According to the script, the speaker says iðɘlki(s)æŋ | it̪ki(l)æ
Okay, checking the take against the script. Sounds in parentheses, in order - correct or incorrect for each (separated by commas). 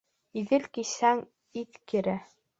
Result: correct, incorrect